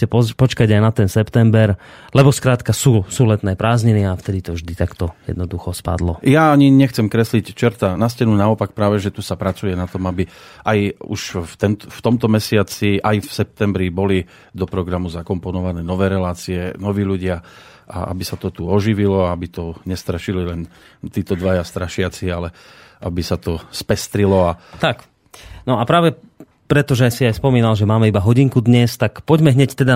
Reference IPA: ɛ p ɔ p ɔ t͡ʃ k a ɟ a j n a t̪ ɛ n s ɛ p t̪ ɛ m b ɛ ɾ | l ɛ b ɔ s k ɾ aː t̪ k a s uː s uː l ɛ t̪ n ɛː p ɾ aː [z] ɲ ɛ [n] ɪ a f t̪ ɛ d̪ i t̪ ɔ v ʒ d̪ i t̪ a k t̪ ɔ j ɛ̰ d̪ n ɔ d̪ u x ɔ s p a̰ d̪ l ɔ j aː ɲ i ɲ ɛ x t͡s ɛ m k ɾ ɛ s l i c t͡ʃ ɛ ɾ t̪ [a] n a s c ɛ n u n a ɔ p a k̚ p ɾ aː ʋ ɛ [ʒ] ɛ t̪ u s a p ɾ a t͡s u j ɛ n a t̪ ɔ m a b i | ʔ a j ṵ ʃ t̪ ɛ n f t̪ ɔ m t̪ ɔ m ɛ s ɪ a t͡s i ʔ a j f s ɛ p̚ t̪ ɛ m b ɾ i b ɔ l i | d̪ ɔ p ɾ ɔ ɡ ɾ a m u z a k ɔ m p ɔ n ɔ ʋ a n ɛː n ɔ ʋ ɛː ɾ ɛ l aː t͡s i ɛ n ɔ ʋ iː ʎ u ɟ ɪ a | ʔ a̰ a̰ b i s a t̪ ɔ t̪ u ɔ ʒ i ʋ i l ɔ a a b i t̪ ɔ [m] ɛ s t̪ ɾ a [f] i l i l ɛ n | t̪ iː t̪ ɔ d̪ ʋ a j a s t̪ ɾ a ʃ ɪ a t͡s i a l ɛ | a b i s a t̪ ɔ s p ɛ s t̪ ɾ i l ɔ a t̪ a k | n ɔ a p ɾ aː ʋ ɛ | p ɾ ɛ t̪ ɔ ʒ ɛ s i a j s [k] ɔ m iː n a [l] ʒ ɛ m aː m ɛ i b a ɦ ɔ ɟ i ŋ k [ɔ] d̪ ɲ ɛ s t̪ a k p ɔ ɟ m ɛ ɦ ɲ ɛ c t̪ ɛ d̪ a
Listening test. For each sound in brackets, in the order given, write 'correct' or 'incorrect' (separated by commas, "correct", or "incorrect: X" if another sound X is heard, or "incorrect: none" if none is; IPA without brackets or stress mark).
correct, correct, correct, correct, incorrect: ɲ, incorrect: ʃ, incorrect: p, correct, incorrect: u